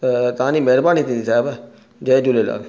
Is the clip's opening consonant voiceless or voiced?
voiceless